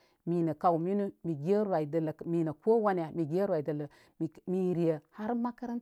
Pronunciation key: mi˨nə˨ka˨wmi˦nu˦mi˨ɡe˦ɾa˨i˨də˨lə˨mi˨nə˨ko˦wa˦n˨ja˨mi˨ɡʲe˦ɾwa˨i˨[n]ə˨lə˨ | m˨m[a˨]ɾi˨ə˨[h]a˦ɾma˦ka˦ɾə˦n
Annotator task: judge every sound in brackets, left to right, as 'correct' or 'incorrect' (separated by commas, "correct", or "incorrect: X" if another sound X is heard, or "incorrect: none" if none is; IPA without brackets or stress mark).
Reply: incorrect: d, incorrect: i˨, correct